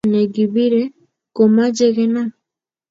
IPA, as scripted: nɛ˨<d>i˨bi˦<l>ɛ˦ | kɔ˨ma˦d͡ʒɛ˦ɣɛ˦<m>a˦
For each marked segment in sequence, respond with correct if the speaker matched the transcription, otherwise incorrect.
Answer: incorrect, incorrect, incorrect

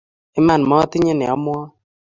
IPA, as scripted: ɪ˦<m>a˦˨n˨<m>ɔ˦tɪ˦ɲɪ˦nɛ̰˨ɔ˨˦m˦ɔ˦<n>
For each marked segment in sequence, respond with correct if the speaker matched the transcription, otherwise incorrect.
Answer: correct, correct, incorrect

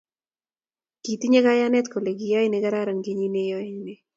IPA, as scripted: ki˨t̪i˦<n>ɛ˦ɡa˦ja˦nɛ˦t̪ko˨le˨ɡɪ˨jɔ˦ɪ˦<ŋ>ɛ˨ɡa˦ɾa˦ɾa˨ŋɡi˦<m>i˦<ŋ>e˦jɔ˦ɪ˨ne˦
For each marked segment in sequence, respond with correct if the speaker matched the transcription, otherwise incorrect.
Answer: incorrect, incorrect, incorrect, incorrect

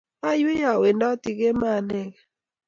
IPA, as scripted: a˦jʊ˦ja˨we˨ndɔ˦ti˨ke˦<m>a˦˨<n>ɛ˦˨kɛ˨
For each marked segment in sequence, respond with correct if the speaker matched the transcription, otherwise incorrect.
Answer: correct, correct

